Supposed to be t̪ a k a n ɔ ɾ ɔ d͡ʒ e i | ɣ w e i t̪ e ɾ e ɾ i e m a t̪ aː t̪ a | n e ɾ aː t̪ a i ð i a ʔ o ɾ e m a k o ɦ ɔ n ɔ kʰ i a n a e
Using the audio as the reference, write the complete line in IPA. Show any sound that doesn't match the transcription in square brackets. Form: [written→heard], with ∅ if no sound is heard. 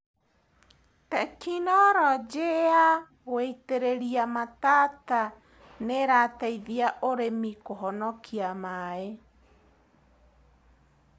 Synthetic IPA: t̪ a k [a→i] n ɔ ɾ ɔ d͡ʒ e [i→a] | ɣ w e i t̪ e ɾ e ɾ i [e→a] m a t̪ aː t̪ a | n e ɾ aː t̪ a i ð i a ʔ o ɾ e m [a→i] k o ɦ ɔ n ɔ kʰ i a [n→m] a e